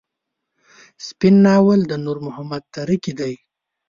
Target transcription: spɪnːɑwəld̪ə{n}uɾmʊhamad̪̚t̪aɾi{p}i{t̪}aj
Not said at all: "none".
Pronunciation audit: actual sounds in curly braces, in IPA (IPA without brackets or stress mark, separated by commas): n, k, d̪